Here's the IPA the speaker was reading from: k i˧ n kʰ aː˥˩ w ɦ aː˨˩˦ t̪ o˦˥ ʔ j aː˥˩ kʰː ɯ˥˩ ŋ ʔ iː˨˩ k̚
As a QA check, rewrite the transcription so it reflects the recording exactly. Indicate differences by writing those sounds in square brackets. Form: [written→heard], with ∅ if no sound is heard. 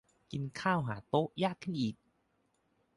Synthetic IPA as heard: k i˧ n kʰ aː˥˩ w ɦ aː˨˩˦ t̪ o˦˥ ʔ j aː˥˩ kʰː ɯ˥˩ [ŋ→n] ʔ iː˨˩ k̚